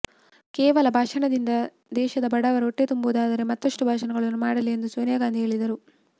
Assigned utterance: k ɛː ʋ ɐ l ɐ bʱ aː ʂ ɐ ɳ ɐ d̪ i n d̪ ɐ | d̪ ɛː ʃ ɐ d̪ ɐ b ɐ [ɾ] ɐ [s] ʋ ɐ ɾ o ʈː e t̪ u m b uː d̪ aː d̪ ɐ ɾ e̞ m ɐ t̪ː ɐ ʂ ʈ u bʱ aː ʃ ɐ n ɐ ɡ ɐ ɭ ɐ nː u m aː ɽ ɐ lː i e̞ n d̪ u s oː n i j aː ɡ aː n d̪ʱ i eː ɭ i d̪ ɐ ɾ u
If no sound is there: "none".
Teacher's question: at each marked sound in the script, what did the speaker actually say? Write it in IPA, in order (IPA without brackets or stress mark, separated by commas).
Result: ɽ, none